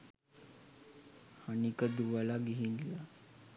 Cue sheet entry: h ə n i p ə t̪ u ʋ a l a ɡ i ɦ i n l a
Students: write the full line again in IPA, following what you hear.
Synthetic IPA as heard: h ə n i k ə d̪ u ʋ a l a ɡ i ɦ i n l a